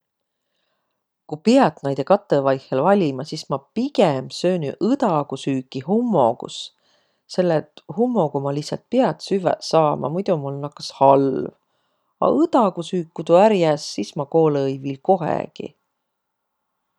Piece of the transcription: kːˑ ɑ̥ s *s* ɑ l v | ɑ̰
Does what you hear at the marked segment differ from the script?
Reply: yes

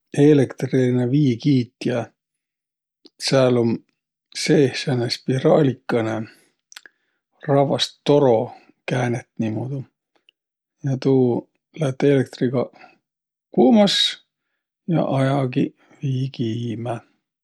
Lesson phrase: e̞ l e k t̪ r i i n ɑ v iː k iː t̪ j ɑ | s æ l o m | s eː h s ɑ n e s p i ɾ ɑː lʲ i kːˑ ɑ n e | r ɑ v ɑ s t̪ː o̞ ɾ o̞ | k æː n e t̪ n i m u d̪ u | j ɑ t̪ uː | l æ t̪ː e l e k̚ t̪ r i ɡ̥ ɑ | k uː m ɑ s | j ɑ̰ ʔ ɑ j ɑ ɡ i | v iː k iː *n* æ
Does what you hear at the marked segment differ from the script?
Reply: yes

